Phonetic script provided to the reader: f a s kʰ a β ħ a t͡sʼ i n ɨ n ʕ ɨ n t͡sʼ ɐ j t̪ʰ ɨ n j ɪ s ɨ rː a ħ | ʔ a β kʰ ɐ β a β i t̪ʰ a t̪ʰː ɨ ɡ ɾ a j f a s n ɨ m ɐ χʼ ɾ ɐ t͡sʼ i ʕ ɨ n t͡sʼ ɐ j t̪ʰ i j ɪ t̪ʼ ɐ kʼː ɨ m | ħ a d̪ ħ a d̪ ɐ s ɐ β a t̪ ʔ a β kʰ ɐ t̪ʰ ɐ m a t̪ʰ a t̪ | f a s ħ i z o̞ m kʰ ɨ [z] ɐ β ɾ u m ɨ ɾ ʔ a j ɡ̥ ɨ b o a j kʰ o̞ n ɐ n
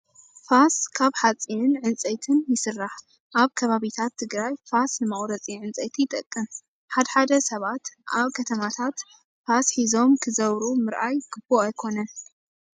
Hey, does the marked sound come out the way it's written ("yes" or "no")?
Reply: yes